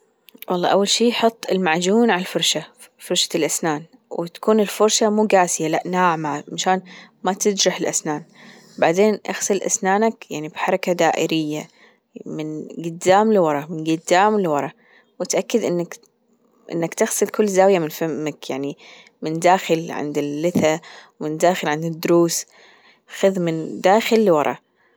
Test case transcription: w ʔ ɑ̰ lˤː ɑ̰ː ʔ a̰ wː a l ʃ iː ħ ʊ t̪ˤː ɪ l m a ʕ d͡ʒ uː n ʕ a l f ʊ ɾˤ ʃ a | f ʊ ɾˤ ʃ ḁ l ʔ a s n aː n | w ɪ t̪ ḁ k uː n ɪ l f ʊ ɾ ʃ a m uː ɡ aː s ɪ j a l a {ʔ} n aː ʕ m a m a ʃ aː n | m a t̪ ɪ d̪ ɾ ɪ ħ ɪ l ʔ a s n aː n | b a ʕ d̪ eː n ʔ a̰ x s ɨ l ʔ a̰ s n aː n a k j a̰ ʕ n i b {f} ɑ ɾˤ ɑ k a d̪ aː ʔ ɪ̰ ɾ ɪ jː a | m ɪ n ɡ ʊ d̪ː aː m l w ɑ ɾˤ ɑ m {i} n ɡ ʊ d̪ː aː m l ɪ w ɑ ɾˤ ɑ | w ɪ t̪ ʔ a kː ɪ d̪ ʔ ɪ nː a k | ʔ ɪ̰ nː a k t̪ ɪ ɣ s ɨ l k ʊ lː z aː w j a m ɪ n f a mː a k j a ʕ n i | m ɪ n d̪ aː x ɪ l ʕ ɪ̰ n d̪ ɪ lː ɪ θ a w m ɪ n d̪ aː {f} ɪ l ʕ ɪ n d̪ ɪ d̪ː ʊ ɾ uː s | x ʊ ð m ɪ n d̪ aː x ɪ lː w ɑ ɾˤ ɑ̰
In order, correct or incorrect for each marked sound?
correct, incorrect: ħ, incorrect: ɪ, incorrect: x

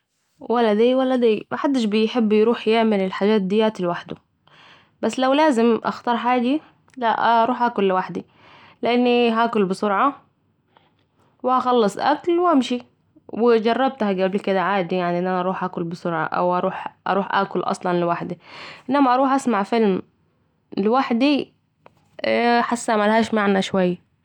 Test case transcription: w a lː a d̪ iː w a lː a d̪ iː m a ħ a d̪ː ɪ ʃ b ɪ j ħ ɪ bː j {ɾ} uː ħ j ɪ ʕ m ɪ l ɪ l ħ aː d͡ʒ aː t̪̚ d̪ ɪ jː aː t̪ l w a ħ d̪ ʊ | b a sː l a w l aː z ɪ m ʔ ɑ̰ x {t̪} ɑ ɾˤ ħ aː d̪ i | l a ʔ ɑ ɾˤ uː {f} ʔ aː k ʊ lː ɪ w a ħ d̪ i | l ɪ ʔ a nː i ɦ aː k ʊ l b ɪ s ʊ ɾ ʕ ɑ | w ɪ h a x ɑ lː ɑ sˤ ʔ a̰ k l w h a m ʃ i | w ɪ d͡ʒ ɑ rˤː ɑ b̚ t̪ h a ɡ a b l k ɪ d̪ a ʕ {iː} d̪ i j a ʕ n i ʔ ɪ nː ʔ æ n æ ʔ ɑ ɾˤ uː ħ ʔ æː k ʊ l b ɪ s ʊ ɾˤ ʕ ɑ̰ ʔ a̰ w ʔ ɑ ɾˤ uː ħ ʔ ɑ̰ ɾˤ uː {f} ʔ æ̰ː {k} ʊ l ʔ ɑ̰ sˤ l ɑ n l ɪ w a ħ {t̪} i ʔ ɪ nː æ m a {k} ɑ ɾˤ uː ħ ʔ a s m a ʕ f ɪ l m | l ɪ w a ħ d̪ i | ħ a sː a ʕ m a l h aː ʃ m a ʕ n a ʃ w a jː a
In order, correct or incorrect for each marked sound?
correct, correct, incorrect: ħ, incorrect: aː, incorrect: ħ, correct, incorrect: d̪, incorrect: ʔ

